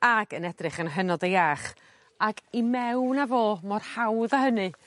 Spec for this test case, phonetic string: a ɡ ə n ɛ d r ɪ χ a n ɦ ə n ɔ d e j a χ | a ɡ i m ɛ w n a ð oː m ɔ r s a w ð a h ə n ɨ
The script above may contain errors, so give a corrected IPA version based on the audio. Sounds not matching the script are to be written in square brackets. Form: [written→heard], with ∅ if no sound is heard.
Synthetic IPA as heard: a ɡ ə n ɛ d r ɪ χ [a→ə] n ɦ ə n ɔ d e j a χ | a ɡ i m ɛ w n a [ð→v] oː m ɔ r [s→h] a w ð a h ə n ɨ